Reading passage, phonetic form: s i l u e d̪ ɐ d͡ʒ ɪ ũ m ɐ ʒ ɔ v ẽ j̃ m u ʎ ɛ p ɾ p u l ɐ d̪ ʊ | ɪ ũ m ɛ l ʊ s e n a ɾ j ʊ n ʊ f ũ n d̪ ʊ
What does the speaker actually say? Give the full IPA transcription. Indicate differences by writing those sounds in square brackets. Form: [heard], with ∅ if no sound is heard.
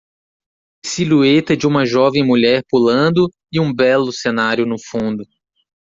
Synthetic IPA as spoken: s i l u e [t̪] ɐ d͡ʒ ɪ ũ m ɐ ʒ ɔ v ẽ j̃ m u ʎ ɛ [∅] ɾ p u l [ɐ̃] d̪ ʊ | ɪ ũ [b] ɛ l ʊ s e n a ɾ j ʊ n ʊ f ũ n d̪ ʊ